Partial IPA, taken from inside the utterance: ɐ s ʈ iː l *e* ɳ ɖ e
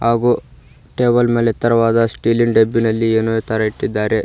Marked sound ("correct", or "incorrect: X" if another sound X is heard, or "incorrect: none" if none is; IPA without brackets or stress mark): incorrect: i